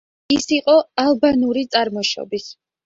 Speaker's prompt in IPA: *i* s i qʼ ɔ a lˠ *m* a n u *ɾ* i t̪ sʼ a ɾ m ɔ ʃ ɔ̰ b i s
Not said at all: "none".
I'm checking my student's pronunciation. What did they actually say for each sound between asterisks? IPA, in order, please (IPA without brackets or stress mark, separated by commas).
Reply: i, b, ɾ